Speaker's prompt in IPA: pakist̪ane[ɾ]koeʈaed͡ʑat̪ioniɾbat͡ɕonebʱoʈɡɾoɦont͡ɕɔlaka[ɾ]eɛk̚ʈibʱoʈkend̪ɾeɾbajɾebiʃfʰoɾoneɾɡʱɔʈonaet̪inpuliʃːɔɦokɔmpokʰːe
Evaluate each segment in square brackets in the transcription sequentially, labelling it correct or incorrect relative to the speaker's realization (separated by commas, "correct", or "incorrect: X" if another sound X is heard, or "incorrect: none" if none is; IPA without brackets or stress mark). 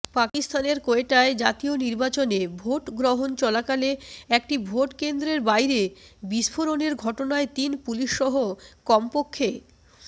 correct, incorrect: l